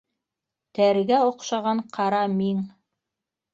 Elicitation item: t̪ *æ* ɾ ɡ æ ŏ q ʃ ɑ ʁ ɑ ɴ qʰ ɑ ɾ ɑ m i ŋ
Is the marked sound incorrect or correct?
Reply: correct